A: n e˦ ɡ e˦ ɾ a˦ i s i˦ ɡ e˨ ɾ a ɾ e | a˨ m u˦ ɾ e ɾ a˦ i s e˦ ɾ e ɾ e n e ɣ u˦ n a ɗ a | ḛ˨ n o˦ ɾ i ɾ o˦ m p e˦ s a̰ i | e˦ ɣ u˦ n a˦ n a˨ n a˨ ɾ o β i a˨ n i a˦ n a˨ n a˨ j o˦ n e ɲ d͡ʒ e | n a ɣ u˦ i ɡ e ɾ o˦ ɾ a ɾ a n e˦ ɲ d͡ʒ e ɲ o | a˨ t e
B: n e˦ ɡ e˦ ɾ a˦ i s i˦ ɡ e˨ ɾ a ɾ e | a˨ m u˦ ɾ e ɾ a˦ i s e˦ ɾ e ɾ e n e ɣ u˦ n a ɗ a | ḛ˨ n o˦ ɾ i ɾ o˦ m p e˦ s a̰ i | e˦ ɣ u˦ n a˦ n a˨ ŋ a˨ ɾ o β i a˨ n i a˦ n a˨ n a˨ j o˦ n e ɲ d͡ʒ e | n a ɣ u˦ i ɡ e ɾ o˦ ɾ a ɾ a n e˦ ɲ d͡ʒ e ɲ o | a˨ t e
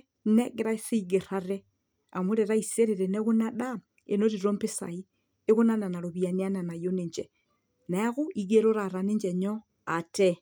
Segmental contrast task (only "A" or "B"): A